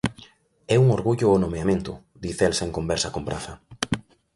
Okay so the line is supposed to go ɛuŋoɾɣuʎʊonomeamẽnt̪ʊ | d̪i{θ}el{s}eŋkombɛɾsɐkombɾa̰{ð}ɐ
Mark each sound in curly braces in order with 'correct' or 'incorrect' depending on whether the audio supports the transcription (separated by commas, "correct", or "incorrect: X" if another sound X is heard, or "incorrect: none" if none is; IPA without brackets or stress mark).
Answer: correct, correct, incorrect: θ